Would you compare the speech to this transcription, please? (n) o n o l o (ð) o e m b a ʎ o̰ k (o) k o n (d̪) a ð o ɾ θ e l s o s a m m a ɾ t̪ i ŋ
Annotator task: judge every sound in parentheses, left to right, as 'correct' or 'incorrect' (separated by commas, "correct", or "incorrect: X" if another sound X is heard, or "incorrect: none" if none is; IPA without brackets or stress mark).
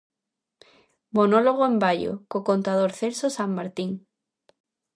incorrect: m, incorrect: ɣ, correct, incorrect: t̪